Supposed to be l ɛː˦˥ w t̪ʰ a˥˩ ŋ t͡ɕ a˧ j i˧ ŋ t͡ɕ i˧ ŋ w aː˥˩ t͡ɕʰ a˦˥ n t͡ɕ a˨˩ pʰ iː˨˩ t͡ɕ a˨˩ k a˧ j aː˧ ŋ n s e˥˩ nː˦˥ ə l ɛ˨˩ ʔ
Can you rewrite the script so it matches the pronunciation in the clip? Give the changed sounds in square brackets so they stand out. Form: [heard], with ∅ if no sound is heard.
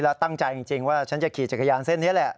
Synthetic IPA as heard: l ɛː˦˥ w [t̪] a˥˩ ŋ t͡ɕ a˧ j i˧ ŋ t͡ɕ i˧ ŋ w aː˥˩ t͡ɕʰ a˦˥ n t͡ɕ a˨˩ [kʰ] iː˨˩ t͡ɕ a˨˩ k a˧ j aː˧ [∅] n s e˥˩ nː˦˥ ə l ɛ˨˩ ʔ